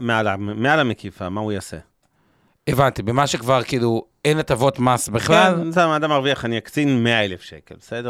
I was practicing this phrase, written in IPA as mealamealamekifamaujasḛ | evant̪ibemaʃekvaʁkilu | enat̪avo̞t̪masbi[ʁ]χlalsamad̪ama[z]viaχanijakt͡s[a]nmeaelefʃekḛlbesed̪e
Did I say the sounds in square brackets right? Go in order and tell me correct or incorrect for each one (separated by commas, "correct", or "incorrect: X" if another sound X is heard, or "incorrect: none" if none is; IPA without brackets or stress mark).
incorrect: none, incorrect: ʁ, incorrect: i